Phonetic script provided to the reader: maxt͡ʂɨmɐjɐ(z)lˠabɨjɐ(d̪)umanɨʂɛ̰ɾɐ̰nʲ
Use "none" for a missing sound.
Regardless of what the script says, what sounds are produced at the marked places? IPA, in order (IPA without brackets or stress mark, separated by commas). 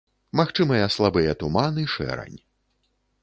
s, t̪